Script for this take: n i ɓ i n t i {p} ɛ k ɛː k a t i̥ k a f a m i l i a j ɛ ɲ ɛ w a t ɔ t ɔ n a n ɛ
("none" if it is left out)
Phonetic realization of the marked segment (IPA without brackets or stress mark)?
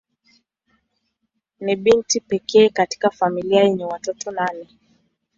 p